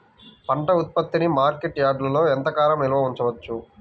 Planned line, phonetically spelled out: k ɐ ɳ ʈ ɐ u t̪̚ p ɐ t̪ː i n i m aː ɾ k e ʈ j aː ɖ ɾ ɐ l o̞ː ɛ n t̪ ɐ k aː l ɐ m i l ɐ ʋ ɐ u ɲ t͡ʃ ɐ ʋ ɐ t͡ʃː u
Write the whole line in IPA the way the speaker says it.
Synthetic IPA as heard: p ɐ ɳ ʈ ɐ u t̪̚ p ɐ t̪ː i n i m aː ɾ k e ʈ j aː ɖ l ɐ l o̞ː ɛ n t̪ ɐ k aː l ɐ m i l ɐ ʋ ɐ u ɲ t͡ʃ ɐ ʋ ɐ t͡ʃː u